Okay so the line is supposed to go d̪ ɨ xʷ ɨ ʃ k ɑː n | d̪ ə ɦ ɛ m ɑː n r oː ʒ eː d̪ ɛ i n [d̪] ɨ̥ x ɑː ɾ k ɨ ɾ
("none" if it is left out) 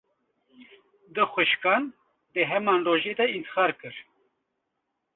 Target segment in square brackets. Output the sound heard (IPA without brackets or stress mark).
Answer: t̪